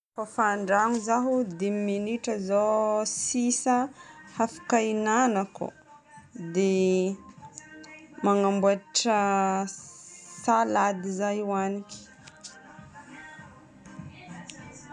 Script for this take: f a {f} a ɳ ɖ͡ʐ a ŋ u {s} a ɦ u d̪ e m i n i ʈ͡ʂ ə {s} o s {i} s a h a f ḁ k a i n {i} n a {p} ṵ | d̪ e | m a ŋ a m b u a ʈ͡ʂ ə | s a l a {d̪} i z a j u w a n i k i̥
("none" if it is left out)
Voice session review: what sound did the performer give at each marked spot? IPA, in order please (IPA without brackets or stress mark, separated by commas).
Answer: f, z, z, i, a, k, d̪